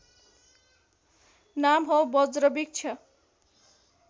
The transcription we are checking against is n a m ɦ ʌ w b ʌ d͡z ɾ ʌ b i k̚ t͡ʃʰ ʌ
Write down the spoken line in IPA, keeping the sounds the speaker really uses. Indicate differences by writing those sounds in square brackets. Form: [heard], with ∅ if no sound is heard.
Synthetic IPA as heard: n a m ɦ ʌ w b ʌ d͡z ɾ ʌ b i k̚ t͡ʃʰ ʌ